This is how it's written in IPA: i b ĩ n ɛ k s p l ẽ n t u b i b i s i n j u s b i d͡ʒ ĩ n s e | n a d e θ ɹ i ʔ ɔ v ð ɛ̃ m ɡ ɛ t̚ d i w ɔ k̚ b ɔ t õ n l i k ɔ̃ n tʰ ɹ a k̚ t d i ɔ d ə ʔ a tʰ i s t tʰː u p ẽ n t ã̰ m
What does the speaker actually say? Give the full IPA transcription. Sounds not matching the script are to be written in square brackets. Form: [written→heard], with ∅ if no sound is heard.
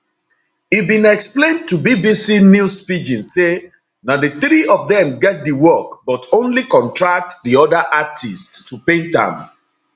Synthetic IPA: i b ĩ n ɛ k s p l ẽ n t u b i b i s i n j u s [b→p] i d͡ʒ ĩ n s e | n a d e θ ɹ i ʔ ɔ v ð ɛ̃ m ɡ ɛ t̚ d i w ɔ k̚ b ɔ t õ n l i k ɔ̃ n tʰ ɹ a k̚ t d i ɔ d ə ʔ a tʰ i s t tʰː u p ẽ n t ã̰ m